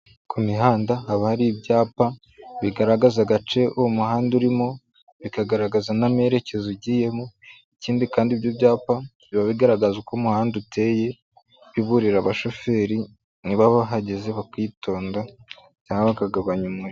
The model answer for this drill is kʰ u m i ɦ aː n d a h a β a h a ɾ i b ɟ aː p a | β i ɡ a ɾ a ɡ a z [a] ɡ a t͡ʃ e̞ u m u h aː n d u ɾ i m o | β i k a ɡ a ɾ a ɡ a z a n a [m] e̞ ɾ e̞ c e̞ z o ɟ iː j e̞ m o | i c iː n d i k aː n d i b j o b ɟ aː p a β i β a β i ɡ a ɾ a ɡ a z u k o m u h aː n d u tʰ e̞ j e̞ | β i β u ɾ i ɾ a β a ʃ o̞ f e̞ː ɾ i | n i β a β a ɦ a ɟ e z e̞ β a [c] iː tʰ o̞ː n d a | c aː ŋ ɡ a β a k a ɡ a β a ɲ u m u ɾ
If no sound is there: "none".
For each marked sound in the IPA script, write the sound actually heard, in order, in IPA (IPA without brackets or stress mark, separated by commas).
a, m, k